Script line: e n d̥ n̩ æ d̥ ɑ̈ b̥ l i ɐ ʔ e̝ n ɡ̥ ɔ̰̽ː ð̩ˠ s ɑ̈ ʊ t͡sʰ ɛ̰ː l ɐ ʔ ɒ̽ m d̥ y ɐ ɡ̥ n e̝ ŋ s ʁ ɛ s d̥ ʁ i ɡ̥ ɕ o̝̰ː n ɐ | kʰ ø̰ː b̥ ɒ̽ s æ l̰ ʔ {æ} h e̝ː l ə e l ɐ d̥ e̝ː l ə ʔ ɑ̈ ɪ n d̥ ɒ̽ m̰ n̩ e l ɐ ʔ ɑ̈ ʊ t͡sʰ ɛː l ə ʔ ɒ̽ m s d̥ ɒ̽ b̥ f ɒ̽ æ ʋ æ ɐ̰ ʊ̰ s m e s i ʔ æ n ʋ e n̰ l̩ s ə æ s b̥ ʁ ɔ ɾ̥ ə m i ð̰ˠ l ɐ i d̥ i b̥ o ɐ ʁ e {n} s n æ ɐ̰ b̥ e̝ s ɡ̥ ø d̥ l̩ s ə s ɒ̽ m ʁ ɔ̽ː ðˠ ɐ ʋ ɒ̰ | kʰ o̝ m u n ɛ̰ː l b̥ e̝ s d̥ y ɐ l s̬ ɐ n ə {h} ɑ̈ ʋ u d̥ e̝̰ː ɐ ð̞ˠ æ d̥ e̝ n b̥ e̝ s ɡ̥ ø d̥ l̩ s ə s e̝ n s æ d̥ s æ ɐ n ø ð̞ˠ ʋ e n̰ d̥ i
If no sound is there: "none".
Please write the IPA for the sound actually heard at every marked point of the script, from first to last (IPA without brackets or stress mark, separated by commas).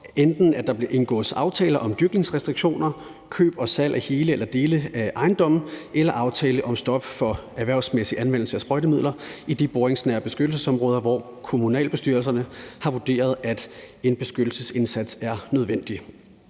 æ, ŋ, h